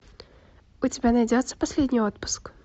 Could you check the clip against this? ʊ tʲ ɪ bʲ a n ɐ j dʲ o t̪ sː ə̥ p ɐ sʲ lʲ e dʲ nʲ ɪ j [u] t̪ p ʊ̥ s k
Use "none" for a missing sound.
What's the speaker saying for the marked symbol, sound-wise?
o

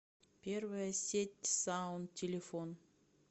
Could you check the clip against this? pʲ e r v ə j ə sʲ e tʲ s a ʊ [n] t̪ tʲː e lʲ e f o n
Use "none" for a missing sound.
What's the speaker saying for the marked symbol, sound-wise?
n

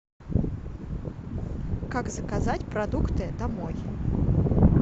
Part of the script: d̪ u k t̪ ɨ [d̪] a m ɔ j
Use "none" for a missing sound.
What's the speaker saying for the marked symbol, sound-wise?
d̪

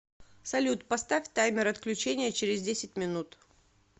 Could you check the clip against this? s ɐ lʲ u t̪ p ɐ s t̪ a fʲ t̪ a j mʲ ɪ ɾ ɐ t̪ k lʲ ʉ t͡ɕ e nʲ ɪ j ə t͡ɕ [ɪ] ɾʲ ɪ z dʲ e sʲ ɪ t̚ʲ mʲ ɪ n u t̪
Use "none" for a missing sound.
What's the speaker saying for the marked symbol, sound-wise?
ɪ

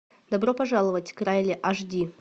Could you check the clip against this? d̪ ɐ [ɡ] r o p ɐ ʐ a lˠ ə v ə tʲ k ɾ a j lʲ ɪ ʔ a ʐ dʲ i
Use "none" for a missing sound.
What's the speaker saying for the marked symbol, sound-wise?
b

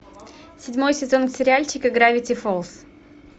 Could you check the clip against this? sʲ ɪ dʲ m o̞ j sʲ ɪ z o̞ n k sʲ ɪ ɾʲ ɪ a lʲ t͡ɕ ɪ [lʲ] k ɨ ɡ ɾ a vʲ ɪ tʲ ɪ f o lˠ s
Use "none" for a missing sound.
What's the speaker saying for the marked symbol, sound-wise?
none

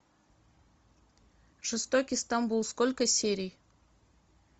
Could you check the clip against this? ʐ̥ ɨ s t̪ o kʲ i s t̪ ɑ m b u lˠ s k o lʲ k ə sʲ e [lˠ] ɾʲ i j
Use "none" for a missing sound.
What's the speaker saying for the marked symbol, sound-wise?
none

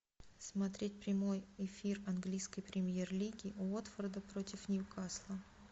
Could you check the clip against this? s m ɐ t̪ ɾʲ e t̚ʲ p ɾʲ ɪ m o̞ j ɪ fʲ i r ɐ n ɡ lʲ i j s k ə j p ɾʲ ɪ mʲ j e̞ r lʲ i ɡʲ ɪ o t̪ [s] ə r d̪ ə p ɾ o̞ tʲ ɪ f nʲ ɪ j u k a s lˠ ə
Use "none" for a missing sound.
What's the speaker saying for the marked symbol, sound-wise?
f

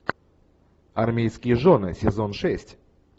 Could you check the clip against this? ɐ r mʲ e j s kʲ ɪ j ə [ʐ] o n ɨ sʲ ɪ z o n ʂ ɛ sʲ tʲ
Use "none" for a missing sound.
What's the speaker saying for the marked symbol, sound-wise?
ʐ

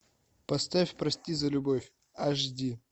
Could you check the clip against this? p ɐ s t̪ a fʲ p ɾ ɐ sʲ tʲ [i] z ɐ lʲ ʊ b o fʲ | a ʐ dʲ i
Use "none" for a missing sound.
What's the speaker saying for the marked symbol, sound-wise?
i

